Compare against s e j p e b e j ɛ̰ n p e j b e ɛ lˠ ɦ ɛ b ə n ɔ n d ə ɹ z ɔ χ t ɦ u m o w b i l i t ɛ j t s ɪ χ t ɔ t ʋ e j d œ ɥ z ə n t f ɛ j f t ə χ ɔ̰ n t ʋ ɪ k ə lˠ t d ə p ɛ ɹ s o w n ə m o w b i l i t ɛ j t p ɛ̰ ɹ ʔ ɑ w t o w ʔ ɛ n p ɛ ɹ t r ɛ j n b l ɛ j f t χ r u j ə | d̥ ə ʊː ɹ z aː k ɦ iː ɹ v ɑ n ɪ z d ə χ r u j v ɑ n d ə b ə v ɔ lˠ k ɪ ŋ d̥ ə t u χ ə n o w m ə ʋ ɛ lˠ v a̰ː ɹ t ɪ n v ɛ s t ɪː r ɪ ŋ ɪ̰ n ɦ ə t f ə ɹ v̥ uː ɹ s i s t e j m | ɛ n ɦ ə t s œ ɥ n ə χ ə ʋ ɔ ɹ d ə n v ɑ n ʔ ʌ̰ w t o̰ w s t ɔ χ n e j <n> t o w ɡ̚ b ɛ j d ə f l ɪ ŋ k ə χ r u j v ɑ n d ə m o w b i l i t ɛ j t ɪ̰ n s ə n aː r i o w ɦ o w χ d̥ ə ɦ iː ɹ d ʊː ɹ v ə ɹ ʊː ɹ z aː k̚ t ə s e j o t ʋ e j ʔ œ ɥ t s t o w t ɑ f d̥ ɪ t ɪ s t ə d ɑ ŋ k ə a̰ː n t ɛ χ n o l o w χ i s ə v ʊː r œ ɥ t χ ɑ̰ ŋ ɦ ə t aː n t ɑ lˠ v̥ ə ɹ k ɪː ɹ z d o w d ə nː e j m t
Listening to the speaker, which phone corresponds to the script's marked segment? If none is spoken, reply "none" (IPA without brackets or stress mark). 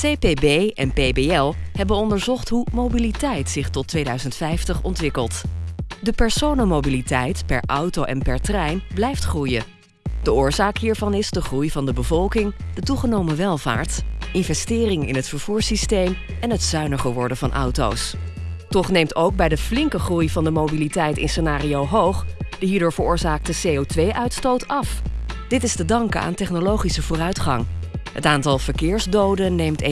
m